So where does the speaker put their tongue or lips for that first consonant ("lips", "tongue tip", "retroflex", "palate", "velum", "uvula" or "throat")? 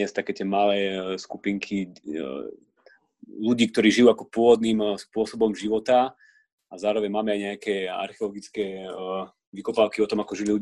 tongue tip